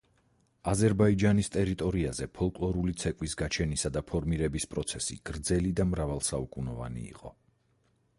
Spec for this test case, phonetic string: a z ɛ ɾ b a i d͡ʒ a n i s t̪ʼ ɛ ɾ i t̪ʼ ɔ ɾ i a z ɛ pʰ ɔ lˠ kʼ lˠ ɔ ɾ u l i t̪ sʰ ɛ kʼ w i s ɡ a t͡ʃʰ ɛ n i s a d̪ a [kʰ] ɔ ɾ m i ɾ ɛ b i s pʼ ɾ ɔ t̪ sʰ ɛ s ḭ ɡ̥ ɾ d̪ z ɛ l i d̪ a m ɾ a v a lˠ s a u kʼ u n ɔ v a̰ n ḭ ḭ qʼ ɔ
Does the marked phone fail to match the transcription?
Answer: yes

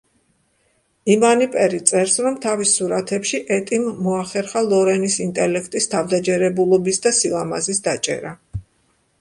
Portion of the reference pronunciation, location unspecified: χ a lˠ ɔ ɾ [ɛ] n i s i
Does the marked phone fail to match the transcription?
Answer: no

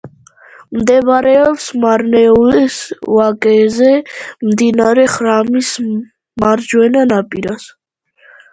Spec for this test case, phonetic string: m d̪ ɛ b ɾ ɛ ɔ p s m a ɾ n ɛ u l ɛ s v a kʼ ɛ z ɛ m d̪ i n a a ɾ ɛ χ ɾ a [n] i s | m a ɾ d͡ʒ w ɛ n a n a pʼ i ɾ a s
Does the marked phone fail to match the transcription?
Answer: yes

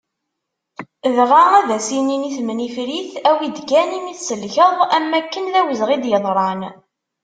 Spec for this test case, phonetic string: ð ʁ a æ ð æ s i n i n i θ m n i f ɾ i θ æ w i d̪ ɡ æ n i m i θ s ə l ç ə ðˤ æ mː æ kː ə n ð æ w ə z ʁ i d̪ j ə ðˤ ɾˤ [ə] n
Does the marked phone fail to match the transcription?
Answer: yes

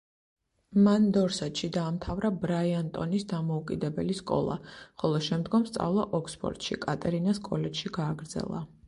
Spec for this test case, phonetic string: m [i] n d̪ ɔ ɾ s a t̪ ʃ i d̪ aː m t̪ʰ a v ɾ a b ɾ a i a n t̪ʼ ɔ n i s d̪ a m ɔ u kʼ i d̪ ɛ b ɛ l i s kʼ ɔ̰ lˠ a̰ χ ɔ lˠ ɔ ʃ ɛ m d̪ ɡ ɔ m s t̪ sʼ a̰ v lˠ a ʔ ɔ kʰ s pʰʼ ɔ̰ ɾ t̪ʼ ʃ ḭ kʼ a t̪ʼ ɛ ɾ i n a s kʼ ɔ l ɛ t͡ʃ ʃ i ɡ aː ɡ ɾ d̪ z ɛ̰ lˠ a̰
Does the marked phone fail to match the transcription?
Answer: yes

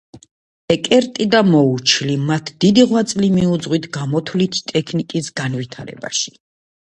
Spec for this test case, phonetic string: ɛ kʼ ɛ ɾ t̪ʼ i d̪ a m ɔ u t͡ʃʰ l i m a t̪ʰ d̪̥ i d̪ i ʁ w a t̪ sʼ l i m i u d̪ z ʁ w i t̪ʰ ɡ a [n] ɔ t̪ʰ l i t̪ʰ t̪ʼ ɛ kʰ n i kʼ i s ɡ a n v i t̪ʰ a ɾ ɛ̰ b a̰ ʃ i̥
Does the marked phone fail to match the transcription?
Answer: yes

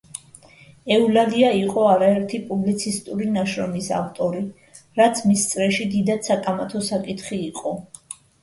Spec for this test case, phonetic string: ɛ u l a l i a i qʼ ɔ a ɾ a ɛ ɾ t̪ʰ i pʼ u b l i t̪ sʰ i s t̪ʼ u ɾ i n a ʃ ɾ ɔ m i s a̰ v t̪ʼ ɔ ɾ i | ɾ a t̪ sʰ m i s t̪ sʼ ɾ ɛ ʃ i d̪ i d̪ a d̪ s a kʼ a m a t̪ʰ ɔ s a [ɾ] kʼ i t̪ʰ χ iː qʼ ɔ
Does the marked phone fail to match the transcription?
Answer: yes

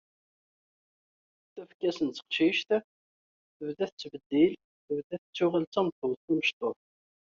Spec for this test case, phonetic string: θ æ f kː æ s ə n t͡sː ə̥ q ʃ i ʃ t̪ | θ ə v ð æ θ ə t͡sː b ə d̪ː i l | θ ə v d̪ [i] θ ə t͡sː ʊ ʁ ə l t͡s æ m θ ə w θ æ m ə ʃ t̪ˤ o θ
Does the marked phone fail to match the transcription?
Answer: yes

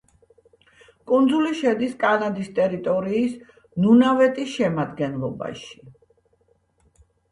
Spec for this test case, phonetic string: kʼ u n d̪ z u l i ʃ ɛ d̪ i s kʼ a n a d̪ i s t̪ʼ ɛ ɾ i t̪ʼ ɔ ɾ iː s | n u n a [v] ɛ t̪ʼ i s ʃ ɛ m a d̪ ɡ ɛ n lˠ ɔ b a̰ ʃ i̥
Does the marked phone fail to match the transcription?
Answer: no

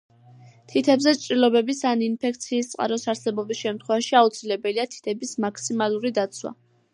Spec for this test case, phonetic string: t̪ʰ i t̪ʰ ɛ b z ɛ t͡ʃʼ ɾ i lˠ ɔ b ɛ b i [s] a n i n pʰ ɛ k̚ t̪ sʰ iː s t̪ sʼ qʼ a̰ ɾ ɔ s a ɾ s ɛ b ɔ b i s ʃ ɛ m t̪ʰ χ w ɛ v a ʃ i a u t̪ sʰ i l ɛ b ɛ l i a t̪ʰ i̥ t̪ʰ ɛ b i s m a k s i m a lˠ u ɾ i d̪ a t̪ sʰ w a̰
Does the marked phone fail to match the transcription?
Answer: no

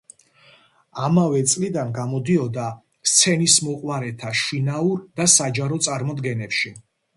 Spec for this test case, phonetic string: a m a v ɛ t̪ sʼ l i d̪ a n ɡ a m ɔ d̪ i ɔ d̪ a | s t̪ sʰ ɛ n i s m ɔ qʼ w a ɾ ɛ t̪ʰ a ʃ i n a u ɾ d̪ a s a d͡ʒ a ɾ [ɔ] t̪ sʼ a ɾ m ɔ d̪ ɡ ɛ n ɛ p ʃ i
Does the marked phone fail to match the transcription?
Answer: no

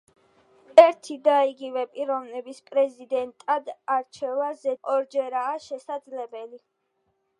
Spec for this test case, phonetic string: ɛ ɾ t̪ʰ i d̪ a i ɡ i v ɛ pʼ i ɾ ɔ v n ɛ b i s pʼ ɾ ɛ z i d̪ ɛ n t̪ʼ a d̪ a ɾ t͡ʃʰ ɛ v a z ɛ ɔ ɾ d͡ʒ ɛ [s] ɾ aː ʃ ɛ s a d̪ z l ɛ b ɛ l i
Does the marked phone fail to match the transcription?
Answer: yes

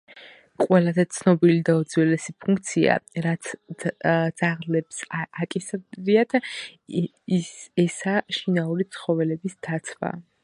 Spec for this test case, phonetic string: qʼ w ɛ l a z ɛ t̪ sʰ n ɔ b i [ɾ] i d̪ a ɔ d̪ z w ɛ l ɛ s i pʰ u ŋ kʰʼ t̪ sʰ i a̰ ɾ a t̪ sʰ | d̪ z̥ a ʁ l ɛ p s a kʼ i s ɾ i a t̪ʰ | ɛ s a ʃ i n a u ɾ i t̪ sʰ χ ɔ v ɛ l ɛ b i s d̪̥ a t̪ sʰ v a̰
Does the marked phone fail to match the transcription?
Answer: yes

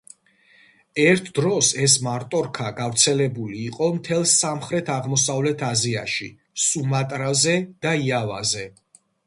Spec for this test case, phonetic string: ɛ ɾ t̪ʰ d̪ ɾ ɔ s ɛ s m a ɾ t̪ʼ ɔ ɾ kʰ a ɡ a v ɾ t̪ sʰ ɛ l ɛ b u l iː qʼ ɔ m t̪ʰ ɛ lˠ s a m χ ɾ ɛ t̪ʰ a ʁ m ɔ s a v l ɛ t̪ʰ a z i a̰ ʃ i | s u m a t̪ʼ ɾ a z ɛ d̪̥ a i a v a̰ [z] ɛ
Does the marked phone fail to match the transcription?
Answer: no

